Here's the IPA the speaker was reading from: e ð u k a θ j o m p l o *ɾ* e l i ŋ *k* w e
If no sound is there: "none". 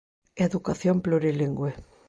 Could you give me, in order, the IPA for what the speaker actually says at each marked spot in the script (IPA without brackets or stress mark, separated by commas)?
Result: ɾ, ɡ